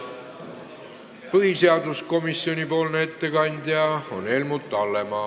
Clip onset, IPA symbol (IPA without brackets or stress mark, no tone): p